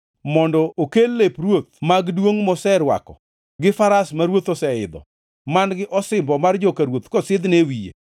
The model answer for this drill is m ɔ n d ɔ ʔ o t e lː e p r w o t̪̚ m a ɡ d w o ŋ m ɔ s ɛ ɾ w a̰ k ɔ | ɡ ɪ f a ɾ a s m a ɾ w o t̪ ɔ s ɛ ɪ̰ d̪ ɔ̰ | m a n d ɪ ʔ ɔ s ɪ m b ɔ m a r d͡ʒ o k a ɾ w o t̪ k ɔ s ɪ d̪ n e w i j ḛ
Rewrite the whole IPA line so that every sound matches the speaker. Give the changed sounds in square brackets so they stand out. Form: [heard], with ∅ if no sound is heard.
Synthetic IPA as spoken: m ɔ n d ɔ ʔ o [k] e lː e p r w o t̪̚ m a ɡ d w o ŋ m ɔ s ɛ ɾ w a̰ k ɔ | ɡ ɪ f a ɾ a s m a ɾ w o t̪ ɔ s ɛ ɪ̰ d̪ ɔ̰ | m a n [ɡ] ɪ ʔ ɔ s ɪ m b ɔ m a r d͡ʒ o k a ɾ w o t̪ k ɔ s ɪ d̪ n e w i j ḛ